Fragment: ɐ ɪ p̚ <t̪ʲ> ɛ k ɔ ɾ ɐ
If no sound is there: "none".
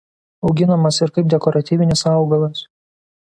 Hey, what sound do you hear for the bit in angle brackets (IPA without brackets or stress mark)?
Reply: d̪ʲ